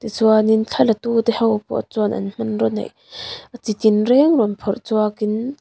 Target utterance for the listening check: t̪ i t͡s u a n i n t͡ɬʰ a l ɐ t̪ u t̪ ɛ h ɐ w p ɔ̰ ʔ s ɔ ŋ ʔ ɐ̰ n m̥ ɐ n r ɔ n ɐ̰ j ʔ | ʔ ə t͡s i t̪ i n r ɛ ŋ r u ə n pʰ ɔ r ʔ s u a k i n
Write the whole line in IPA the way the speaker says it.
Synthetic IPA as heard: t̪ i t͡s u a n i n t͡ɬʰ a l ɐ t̪ u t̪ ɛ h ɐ w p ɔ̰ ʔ t͡s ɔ n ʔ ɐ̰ n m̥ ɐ n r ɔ n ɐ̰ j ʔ | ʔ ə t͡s i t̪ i n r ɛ ŋ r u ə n pʰ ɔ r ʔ t͡s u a k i n